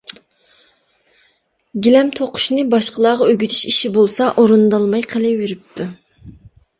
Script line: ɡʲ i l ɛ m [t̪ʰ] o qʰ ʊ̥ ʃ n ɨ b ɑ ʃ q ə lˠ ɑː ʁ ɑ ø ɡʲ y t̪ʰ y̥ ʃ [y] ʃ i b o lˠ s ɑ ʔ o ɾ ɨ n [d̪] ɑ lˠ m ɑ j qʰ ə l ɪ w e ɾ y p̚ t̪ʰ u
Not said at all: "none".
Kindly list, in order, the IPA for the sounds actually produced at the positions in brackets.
t̪ʰ, i, d̪

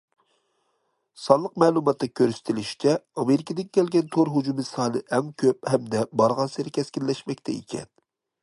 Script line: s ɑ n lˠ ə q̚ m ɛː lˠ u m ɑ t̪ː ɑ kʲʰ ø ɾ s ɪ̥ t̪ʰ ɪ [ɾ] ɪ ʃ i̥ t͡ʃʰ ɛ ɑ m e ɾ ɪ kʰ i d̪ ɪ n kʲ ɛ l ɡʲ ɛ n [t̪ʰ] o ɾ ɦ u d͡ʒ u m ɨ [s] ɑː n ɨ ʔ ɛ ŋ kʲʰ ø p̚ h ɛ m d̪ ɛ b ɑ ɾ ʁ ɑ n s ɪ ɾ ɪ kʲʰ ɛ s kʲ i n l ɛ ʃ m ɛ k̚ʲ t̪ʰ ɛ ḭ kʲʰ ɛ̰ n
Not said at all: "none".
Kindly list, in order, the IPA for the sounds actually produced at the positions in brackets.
l, t̪ʰ, s

